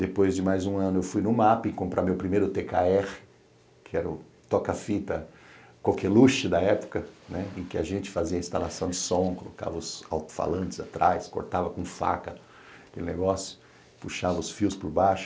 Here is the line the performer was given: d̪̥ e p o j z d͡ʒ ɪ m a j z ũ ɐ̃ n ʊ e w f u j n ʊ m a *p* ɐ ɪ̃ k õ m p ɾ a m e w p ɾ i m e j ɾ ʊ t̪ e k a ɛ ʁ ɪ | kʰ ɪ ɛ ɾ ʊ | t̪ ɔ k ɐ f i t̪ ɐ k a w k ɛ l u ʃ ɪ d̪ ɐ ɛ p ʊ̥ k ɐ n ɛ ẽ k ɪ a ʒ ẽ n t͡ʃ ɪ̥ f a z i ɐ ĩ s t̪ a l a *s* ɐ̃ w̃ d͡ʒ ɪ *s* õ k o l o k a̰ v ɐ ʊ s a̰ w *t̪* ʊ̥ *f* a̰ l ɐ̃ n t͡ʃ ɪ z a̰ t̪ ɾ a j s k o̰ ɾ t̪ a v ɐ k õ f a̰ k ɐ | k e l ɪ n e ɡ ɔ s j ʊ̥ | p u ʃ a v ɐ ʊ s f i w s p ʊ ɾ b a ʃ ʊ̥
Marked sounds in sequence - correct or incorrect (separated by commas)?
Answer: correct, correct, correct, correct, correct